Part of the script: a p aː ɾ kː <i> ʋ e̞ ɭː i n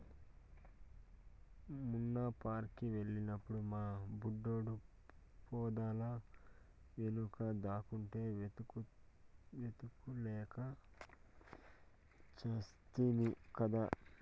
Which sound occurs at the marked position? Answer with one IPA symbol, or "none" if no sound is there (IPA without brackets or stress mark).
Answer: i